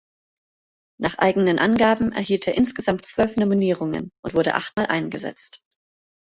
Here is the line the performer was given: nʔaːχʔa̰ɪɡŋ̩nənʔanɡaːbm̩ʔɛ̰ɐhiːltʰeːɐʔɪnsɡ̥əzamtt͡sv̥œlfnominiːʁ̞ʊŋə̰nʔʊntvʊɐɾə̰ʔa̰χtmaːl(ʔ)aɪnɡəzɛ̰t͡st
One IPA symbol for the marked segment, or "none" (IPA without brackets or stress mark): ʔ